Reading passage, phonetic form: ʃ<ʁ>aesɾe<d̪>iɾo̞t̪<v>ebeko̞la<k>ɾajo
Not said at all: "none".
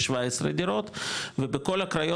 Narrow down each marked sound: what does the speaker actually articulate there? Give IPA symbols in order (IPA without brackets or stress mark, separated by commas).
v, d̪, v, k